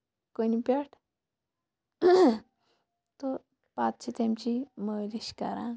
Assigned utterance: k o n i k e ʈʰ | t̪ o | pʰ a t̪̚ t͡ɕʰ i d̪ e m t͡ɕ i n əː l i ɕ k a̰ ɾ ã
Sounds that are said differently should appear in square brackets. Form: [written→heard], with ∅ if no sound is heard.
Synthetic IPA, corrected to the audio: k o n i [k→p] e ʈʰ | t̪ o | [pʰ→p] a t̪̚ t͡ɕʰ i [d̪→t̪] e m t͡ɕ i [n→m] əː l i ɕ k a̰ ɾ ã